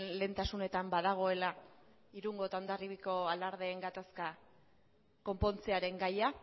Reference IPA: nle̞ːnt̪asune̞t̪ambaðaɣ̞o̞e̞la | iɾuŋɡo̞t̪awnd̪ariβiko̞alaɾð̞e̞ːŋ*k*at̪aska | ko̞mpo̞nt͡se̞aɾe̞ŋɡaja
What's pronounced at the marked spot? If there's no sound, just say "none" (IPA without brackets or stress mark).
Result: ɡ